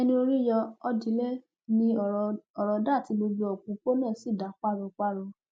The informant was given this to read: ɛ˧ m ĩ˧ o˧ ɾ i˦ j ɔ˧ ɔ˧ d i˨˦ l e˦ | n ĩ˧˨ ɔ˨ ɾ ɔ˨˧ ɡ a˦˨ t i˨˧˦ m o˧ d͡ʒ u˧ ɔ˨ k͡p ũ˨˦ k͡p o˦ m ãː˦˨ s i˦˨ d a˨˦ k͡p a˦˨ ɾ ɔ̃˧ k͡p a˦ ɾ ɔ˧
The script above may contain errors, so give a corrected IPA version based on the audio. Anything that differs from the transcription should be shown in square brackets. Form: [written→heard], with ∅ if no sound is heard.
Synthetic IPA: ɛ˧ [m→n] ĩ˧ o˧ ɾ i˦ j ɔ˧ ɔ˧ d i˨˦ l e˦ | n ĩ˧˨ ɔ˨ ɾ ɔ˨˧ [ɡ→d] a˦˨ t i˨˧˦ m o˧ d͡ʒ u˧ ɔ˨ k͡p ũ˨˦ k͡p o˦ [m→n] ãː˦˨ s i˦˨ d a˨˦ k͡p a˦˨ ɾ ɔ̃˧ k͡p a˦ ɾ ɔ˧